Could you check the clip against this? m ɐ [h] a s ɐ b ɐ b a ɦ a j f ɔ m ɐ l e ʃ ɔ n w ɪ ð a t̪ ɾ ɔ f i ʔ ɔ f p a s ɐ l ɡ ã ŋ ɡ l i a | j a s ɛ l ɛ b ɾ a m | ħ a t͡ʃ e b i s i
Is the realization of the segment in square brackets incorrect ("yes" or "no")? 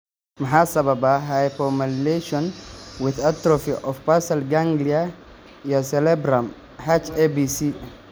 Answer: yes